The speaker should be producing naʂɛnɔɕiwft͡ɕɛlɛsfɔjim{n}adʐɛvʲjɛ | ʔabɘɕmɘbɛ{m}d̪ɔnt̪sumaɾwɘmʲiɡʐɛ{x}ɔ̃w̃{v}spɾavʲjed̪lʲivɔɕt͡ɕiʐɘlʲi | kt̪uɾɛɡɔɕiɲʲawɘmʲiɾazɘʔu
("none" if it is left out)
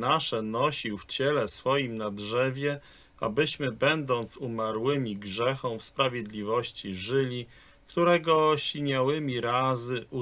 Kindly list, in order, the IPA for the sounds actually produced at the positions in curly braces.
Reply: n, n, x, f

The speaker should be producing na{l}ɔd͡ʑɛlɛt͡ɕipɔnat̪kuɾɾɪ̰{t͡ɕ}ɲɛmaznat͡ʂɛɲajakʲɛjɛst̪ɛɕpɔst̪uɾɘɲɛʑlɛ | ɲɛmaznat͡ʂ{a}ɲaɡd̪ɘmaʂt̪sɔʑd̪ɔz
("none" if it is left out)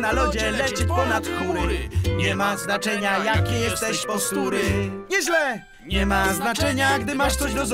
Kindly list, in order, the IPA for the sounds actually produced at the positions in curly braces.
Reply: l, none, ɛ

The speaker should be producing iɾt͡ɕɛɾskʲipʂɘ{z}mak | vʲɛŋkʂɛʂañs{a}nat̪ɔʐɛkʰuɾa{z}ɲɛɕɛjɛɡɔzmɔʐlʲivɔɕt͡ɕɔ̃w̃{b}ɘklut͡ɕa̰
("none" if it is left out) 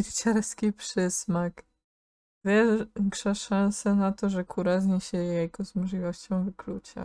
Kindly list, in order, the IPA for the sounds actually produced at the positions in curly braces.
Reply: s, ɛ, z, v

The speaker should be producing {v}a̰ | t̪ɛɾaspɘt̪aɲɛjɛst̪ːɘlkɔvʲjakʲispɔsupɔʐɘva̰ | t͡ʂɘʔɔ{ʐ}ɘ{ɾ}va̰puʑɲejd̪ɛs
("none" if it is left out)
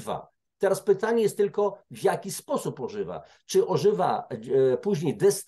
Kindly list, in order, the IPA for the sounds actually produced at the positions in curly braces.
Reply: v, ʐ, none

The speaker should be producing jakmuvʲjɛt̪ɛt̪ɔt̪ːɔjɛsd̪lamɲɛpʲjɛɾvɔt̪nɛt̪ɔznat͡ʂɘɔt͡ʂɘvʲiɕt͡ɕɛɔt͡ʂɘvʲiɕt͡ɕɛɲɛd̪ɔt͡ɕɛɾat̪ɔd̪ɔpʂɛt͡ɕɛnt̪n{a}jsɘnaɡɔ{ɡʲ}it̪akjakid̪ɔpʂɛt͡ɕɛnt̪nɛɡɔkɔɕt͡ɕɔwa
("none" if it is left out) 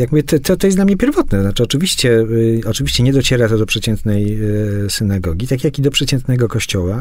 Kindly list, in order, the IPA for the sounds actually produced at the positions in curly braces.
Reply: ɛ, ɡʲ

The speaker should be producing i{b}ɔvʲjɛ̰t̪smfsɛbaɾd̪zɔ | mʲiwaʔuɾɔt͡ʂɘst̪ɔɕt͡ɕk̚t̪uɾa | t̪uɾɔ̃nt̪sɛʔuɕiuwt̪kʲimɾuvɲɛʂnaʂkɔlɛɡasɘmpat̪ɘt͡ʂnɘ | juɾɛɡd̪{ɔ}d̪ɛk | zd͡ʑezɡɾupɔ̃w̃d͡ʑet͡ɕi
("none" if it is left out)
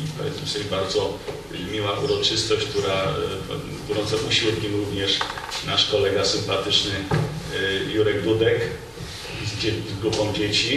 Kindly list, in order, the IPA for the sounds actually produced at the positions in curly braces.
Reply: p, u

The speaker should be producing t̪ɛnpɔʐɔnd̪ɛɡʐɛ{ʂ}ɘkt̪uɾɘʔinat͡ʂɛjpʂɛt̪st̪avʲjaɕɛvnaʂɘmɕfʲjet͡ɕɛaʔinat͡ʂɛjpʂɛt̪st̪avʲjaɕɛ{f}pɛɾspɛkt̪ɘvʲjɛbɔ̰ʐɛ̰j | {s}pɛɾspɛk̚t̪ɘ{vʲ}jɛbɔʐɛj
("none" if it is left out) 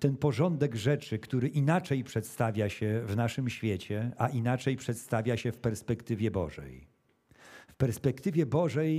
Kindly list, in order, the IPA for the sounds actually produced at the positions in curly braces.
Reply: t͡ʂ, f, f, vʲ

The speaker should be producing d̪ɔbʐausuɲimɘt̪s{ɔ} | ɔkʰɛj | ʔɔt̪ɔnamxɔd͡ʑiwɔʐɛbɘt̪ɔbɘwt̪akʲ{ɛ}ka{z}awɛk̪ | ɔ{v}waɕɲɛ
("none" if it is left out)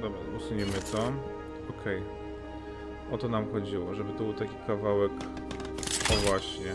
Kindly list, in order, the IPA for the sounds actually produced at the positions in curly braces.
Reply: ɔ, i, v, v

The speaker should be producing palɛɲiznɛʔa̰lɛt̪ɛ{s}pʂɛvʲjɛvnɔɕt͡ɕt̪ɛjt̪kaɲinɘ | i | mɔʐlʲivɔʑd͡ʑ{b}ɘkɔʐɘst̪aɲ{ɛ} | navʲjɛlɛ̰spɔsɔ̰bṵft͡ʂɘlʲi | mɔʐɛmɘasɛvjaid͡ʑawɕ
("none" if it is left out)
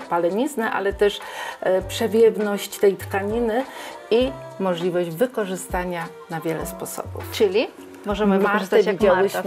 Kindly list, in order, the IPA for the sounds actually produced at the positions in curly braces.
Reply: ʂ, v, a

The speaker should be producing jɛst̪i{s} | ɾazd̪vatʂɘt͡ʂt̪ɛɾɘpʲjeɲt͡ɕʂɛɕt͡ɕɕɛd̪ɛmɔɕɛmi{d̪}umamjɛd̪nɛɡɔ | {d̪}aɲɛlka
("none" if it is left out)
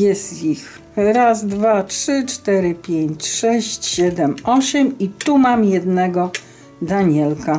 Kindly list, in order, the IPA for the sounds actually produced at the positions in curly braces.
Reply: x, t̪, d̪

